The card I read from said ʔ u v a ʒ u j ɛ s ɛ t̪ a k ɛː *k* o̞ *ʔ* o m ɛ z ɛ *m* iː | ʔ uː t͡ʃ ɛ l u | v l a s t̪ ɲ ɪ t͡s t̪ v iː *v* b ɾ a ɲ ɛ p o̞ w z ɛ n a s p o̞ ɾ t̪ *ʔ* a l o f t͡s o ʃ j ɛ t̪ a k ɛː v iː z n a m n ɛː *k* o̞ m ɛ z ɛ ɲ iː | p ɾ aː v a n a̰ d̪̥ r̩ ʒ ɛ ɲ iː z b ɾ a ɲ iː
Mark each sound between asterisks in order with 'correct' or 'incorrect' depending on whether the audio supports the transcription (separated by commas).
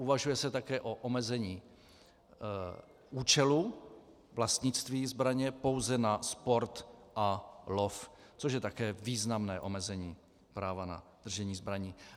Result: incorrect, correct, incorrect, incorrect, correct, incorrect